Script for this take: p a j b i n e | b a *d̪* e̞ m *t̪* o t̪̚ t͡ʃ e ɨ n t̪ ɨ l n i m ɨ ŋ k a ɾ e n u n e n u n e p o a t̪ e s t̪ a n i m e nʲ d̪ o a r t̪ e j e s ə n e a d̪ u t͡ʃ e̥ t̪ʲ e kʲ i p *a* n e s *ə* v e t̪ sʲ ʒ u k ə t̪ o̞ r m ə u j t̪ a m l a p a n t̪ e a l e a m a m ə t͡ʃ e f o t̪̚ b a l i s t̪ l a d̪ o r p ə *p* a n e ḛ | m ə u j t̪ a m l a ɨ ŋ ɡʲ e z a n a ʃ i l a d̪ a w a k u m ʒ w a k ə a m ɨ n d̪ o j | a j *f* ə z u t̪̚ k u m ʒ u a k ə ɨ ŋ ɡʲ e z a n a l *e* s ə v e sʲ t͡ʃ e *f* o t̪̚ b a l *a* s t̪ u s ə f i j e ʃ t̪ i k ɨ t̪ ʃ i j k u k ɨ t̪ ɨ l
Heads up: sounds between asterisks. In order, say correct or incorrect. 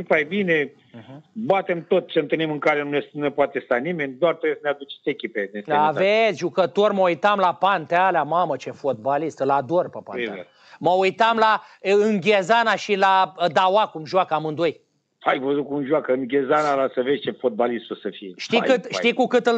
incorrect: t̪, correct, incorrect: e, incorrect: a, correct, incorrect: v, incorrect: a, correct, incorrect: i

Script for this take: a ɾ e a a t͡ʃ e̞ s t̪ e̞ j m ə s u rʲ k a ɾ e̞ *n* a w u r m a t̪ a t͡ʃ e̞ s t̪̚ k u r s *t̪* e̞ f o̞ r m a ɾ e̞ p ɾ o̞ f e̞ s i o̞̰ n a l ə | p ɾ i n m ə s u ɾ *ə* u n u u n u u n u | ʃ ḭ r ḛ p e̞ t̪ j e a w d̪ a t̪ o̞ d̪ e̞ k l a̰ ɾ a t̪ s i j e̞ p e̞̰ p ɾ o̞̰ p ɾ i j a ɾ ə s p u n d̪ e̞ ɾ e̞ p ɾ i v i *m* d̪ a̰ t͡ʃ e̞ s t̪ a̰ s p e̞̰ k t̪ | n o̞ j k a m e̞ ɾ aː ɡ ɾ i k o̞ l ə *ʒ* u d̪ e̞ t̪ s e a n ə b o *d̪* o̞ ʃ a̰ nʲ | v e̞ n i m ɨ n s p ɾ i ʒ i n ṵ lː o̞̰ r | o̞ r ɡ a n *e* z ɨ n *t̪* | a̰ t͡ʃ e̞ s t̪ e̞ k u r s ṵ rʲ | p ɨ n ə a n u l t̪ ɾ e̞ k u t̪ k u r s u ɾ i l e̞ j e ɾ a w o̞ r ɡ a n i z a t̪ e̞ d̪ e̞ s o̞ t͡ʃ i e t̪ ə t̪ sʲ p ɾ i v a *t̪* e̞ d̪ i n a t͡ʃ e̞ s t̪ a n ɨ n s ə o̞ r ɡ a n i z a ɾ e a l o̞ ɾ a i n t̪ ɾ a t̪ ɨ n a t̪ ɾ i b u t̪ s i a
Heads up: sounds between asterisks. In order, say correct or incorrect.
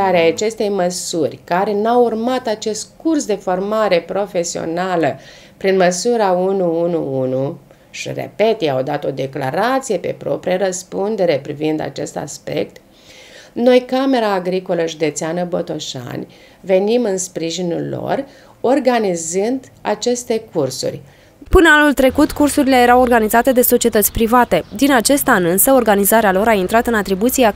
correct, incorrect: d̪, incorrect: a, incorrect: n, correct, incorrect: t̪, incorrect: i, incorrect: d̪, correct

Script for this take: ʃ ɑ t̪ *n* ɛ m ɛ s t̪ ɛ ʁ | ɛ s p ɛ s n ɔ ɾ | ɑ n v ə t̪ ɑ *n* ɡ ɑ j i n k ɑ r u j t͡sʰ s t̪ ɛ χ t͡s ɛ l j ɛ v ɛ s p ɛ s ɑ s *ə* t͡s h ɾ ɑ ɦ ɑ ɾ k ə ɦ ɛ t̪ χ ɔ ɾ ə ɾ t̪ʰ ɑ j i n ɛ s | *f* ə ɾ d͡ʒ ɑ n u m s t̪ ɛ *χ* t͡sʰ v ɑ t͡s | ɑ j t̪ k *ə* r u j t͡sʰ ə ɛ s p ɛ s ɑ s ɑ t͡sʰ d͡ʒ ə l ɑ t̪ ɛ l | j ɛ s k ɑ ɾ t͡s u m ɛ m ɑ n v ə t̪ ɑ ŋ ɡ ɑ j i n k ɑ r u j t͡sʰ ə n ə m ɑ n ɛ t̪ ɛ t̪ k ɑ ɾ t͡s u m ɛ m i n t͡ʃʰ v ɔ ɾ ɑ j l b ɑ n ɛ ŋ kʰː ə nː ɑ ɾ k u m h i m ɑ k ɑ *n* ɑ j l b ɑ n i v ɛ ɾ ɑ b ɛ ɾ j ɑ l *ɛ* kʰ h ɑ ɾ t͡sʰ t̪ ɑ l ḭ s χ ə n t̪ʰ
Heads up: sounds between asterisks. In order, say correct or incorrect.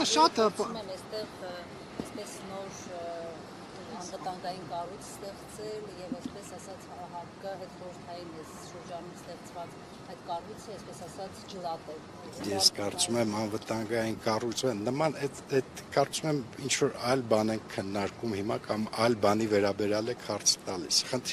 incorrect: m, incorrect: ŋ, incorrect: ɑ, incorrect: ʃ, correct, incorrect: ɑ, incorrect: m, correct

